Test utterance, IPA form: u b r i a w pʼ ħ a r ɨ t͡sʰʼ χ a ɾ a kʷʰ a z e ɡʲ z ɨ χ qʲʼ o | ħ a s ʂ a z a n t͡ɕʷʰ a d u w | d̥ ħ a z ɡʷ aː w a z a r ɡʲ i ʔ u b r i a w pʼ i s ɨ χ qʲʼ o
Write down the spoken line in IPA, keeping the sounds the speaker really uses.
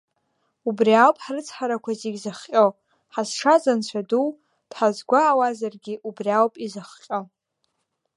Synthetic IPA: u b r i a w pʼ ħ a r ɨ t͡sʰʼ ħ a ɾ a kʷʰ a z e ɡʲ z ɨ χ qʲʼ o | ħ a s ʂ a z a n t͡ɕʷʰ a d u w | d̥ ħ a z ɡʷ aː w a z a r ɡʲ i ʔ u b r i a w pʼ i z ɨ χ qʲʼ o